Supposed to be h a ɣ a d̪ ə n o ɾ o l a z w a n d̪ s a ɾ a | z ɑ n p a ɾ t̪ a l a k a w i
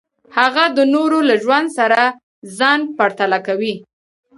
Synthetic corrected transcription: h a ɣ a d̪ ə n o ɾ o l a ʒ w a n d̪ s a ɾ a | z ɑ n p a ɾ t̪ a l a k a w i

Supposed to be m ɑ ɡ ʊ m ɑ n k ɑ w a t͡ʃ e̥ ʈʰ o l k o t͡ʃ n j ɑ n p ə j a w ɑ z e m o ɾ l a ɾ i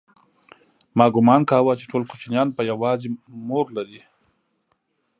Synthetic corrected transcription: m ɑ ɡ ʊ m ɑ n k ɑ w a t͡ʃ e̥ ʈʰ o l k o t͡ʃ n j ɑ n p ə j a w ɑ z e m o ɾ l a ɾ i

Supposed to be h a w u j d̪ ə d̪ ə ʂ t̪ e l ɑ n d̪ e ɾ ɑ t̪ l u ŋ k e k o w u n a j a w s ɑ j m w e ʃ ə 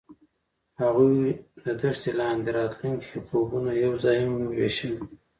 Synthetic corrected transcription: h a ɣ u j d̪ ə d̪ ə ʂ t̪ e l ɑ n d̪ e ɾ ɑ t̪ l u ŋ k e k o b u n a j a w z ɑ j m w e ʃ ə

